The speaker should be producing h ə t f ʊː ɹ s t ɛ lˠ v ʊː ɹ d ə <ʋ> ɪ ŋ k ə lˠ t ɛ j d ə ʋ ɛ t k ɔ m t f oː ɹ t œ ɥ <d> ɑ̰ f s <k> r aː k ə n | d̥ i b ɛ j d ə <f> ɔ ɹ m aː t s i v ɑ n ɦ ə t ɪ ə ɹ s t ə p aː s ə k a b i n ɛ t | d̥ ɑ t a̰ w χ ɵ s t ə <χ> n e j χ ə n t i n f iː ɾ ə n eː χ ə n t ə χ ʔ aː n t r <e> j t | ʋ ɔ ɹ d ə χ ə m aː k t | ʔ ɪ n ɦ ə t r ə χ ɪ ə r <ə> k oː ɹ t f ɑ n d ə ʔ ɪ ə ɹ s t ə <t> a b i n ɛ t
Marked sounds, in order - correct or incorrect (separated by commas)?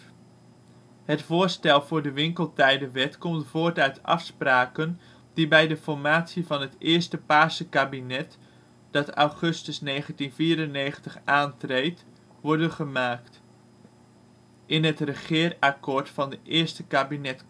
correct, incorrect, incorrect, correct, incorrect, correct, incorrect, incorrect